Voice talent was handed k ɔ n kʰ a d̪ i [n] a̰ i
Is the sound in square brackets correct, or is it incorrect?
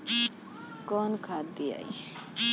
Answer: incorrect: none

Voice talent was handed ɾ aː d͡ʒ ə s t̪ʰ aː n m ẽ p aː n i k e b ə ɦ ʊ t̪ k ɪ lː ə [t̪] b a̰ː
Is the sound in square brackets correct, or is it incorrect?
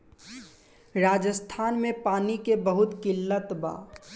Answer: correct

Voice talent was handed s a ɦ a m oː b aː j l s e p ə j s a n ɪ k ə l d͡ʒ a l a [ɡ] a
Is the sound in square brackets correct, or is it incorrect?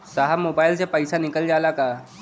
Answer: incorrect: k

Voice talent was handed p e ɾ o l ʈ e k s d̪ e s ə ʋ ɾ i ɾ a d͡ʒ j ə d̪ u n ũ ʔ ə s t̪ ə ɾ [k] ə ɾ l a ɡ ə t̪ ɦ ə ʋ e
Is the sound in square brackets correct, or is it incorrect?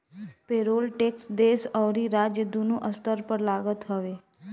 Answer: incorrect: p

